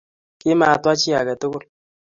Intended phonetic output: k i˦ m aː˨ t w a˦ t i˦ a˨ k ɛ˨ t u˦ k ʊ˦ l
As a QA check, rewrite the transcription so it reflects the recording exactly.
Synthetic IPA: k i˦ m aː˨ t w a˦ t͡ʃ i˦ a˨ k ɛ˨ t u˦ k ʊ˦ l